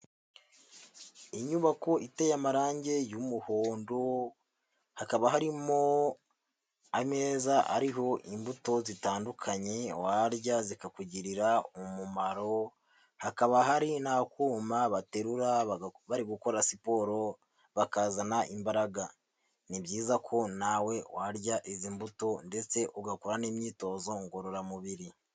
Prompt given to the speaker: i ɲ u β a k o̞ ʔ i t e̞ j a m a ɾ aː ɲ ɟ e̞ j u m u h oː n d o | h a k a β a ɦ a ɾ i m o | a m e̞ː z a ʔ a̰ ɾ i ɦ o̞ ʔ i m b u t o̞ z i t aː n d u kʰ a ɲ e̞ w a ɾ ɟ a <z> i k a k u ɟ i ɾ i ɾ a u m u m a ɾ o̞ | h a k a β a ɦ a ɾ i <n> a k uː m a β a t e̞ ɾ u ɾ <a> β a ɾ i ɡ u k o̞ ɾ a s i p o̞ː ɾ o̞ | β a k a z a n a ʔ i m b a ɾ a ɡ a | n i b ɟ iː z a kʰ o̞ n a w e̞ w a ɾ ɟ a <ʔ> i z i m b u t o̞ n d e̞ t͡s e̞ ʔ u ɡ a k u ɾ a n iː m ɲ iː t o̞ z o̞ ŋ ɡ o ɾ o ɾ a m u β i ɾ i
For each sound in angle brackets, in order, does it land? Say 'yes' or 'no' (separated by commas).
yes, yes, yes, yes